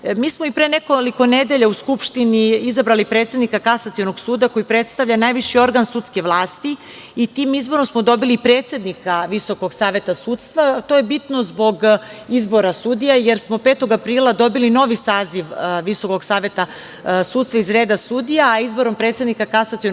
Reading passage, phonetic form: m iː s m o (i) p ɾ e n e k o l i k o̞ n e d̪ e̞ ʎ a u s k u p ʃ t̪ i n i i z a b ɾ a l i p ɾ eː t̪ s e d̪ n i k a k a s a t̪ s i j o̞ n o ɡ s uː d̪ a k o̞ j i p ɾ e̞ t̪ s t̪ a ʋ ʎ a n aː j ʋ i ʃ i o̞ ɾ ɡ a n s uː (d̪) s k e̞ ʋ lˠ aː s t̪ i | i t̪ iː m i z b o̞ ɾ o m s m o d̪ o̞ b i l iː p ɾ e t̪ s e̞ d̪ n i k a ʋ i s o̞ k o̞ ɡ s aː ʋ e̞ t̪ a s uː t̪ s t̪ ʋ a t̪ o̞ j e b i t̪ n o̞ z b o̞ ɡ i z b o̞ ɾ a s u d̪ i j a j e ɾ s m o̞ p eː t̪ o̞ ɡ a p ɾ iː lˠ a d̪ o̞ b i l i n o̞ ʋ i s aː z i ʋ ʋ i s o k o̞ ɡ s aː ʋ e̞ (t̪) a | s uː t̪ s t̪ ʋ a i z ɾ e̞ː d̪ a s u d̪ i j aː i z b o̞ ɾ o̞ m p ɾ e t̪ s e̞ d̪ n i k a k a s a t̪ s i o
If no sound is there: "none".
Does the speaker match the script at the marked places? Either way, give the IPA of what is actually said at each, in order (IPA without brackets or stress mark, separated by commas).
i, t̪, t̪